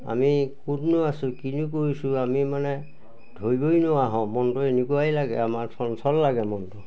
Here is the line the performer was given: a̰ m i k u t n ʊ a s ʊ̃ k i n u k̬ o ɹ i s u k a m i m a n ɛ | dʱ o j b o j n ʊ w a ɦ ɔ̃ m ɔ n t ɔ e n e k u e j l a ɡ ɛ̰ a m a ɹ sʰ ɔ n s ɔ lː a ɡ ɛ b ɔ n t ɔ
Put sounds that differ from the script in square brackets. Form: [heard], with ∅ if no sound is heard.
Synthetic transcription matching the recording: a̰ m i k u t n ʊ a s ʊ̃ k i n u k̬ o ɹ i s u [∅] a m i m a n ɛ | dʱ o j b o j n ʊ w a ɦ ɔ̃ m ɔ n t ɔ e n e k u [a] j l a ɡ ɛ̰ a m a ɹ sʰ ɔ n s ɔ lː a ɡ ɛ [m] ɔ n t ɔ